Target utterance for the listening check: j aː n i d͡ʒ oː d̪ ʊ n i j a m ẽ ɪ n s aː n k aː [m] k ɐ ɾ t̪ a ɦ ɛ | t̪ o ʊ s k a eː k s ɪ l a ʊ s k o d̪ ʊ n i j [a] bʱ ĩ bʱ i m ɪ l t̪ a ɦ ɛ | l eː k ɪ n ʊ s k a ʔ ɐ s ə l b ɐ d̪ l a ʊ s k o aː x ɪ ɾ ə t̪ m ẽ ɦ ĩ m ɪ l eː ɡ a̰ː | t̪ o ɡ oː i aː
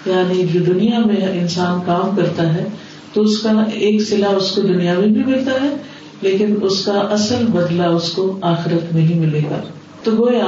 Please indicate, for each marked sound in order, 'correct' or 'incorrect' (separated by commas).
correct, correct